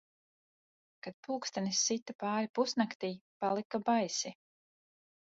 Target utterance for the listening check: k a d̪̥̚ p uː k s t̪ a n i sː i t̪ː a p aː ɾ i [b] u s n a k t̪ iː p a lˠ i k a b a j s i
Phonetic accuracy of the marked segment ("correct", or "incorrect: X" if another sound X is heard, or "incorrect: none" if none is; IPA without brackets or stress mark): incorrect: p